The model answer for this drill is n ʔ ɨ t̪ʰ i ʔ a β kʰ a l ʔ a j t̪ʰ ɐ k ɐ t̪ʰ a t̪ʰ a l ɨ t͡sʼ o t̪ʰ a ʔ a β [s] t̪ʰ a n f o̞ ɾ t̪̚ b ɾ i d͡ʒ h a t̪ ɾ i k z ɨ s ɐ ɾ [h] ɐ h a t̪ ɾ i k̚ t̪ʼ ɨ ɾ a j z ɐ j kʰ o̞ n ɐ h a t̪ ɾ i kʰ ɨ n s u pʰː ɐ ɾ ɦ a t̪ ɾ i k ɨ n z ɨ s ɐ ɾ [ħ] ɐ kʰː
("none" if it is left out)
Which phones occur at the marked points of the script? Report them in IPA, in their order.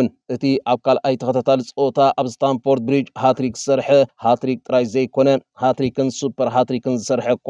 s, ħ, ħ

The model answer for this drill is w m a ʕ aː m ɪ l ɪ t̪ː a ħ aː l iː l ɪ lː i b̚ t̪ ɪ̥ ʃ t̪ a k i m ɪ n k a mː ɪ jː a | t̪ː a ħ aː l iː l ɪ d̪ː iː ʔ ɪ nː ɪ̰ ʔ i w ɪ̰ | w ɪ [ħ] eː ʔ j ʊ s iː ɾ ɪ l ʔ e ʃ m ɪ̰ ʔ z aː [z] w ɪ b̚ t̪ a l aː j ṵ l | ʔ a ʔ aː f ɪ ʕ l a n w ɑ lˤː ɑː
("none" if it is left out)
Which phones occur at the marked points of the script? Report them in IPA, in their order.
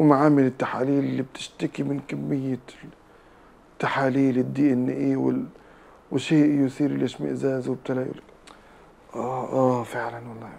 ʃ, z

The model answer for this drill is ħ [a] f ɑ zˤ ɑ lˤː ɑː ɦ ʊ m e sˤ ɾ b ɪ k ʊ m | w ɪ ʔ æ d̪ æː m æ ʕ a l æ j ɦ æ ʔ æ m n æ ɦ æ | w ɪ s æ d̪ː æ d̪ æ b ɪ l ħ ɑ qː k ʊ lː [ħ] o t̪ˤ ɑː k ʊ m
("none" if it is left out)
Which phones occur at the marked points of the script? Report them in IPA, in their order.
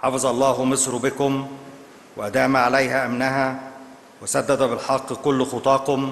ɑ, x

